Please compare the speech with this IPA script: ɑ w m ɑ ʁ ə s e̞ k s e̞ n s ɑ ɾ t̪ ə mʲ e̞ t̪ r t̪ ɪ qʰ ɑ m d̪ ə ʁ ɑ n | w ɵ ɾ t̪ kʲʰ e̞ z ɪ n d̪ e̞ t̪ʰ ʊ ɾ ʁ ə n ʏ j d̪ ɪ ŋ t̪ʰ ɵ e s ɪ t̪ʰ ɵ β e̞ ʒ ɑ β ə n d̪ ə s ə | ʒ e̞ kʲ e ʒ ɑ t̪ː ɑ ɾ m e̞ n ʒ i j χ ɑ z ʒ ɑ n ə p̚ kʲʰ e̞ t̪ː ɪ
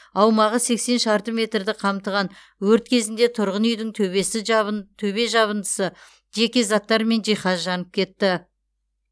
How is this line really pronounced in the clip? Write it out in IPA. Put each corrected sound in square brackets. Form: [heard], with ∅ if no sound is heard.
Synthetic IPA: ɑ w m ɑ ʁ ə s e̞ k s e̞ n [ʃ] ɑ ɾ t̪ ə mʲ e̞ t̪ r [d̪] ɪ qʰ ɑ m [t̪] ə ʁ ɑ n | w ɵ ɾ t̪ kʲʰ e̞ z ɪ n d̪ e̞ t̪ʰ ʊ ɾ ʁ ə n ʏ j d̪ ɪ ŋ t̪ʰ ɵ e s ɪ t̪ʰ ɵ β e̞ ʒ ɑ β ə n d̪ ə s ə | ʒ e̞ kʲ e [z] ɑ t̪ː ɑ ɾ m e̞ n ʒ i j χ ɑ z ʒ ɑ n ə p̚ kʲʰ e̞ t̪ː ɪ